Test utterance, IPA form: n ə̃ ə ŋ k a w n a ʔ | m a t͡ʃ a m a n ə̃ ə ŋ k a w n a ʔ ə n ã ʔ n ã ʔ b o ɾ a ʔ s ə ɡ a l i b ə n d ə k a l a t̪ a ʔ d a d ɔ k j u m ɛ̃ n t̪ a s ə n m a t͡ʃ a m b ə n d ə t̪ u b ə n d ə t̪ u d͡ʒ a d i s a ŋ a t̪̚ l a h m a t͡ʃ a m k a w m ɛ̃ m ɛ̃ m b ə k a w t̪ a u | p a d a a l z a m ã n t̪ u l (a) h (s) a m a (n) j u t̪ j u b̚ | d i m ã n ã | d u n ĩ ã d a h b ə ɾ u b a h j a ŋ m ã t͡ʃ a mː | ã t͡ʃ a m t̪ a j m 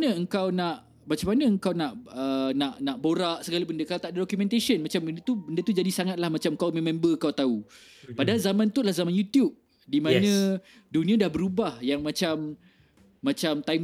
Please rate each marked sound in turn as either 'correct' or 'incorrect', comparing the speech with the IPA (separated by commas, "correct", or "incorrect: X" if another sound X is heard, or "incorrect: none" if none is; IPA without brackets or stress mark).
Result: correct, incorrect: z, correct